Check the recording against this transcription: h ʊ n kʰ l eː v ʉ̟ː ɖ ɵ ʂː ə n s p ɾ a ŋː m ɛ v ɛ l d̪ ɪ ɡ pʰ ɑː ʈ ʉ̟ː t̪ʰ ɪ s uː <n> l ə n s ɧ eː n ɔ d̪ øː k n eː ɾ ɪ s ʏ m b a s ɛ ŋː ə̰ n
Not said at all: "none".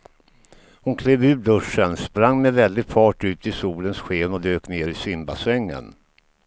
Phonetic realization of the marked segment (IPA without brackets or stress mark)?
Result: none